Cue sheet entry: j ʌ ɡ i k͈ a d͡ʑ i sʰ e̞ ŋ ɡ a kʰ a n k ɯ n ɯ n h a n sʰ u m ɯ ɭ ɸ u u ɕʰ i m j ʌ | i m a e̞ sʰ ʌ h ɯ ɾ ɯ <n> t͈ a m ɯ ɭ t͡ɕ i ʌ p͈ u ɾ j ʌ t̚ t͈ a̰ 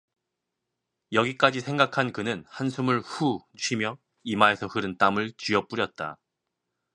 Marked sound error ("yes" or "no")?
no